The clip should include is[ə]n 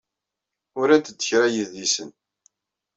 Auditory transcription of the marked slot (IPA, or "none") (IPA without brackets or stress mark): ə